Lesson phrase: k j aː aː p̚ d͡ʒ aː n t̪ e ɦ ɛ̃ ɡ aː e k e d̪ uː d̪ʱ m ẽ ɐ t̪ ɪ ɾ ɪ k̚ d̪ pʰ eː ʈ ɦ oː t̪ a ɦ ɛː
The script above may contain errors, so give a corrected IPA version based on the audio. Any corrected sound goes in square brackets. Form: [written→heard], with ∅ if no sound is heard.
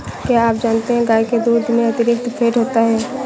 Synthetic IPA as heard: k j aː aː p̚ d͡ʒ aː n t̪ e ɦ ɛ̃ ɡ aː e k e d̪ uː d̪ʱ m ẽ ɐ t̪ ɪ ɾ ɪ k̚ [d̪→t̪] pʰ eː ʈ ɦ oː t̪ a ɦ ɛː